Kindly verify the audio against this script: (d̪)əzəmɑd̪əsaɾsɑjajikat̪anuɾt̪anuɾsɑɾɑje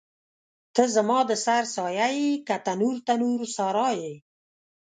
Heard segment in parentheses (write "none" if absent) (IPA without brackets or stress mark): t̪